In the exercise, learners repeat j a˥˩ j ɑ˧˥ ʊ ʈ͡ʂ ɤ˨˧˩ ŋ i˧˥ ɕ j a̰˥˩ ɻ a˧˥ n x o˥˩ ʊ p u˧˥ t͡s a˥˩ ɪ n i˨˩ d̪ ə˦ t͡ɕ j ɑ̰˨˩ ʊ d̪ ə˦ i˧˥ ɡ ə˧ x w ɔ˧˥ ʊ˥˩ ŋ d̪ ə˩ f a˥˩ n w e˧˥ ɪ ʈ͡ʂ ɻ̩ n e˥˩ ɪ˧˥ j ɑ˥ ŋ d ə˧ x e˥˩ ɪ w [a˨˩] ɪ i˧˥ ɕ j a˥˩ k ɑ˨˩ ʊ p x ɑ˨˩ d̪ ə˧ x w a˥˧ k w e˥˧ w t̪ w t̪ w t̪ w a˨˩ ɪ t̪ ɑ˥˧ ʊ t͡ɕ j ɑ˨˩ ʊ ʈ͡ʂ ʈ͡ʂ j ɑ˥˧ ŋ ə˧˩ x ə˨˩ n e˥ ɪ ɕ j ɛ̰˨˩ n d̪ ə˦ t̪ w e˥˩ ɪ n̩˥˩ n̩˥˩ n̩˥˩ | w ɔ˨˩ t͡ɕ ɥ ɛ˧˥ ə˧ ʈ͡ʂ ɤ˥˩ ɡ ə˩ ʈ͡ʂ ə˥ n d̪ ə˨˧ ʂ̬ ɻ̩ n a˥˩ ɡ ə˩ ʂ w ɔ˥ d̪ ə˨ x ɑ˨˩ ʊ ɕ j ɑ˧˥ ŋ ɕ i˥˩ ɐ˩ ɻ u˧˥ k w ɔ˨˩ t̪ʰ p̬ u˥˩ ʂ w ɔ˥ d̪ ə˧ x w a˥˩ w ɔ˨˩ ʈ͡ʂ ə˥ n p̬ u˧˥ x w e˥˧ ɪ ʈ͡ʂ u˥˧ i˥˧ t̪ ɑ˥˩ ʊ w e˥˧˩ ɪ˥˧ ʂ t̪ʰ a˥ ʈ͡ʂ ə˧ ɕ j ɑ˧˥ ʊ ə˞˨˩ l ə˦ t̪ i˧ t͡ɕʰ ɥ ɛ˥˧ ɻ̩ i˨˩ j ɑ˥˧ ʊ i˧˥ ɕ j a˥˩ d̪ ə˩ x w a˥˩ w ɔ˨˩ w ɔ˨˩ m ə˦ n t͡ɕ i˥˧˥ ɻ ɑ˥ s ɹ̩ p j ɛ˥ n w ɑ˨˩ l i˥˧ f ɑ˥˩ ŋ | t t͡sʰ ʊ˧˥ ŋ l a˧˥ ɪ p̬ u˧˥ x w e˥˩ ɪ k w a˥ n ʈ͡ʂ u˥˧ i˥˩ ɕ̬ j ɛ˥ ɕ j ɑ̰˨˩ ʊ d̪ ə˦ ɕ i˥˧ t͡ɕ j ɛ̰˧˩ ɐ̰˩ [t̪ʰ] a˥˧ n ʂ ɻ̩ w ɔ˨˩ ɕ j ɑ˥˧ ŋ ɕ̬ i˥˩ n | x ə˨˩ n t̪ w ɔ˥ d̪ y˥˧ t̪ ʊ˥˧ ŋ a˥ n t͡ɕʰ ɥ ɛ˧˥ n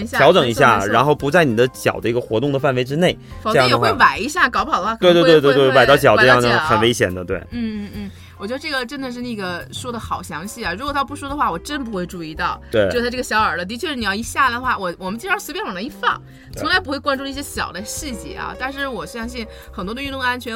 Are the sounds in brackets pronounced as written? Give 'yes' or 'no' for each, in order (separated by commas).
yes, no